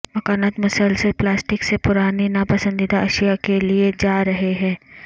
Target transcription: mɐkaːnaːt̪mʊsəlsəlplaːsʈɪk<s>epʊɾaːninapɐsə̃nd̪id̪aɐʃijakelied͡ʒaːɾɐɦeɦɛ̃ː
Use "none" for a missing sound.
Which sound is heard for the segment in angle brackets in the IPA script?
s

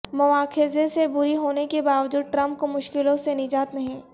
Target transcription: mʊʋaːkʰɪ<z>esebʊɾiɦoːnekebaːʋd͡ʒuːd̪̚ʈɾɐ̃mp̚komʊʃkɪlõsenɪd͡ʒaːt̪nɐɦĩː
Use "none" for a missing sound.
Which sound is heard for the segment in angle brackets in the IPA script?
z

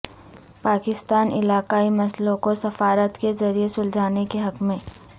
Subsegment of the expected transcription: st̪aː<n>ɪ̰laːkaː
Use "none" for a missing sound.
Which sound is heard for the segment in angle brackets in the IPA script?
n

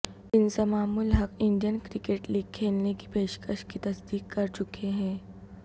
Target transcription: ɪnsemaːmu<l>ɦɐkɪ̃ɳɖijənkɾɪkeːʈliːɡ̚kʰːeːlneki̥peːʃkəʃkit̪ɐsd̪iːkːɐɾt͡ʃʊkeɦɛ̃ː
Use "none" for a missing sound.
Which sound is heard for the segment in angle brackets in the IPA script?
l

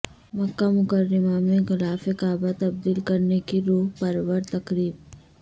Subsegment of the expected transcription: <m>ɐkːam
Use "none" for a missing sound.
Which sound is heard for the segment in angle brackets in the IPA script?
m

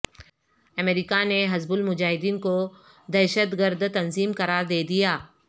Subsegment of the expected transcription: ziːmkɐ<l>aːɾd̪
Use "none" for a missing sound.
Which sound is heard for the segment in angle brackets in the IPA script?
ɾ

